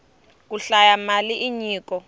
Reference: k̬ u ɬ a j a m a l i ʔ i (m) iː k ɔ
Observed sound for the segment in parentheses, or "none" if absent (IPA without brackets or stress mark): ɲ